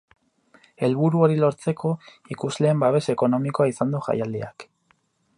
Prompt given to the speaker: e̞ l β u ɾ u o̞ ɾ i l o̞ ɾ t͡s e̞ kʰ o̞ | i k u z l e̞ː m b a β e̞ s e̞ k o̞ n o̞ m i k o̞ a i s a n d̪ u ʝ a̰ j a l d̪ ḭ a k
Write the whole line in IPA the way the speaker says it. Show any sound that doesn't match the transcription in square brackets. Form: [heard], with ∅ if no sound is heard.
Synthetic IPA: e̞ l β u ɾ u o̞ ɾ i l o̞ ɾ t͡s e̞ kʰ o̞ | i k u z l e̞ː m b a β e̞ s e̞ k o̞ n o̞ m i k o̞ a i s a n d̪ u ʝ a̰ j a l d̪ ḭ a k